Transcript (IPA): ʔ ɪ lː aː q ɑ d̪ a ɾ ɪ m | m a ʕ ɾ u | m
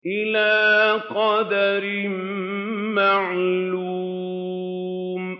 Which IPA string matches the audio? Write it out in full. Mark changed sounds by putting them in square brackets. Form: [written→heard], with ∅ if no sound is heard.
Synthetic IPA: ʔ ɪ [lː→l] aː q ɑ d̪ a ɾ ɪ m | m a ʕ [ɾ→l] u | m